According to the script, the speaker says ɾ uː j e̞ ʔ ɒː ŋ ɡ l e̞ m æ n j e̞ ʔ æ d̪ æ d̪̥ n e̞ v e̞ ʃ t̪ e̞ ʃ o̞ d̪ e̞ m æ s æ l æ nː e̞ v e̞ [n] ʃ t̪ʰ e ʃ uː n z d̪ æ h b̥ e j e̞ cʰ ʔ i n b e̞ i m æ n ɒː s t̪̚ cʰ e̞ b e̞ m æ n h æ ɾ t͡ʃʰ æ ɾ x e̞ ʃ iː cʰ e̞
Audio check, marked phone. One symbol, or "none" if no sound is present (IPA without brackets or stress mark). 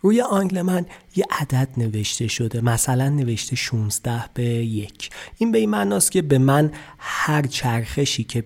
none